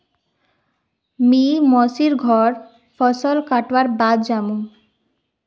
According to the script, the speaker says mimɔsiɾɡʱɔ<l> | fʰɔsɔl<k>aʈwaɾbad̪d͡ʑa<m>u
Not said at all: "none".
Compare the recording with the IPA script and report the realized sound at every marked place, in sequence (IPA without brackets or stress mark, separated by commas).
ɾ, k, m